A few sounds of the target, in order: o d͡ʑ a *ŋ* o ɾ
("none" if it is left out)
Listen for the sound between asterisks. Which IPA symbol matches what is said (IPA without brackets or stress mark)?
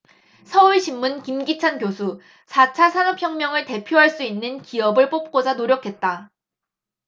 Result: n